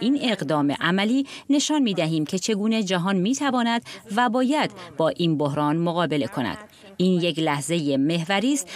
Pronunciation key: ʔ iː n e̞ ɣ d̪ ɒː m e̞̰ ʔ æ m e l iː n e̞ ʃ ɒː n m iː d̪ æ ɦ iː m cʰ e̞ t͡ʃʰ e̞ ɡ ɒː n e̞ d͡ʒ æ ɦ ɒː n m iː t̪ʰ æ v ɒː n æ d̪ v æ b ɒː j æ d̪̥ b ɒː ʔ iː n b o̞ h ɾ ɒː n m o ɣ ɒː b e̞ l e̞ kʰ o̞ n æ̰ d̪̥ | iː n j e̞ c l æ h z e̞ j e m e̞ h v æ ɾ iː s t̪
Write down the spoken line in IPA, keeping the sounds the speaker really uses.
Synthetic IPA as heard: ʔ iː n e̞ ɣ d̪ ɒː m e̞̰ ʔ æ m æ l iː n e̞ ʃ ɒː n m iː d̪ æ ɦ iː m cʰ e̞ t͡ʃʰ e̞ ɡ uː n e̞ d͡ʒ æ ɦ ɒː n m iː t̪ʰ æ v ɒː n æ d̪ v æ b ɒː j æ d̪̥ b ɒː ʔ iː n b o̞ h ɾ ɒː n m o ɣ ɒː b e̞ l e̞ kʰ o̞ n æ̰ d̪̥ | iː n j e̞ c l æ h z e̞ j e m e̞ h v æ ɾ iː s t̪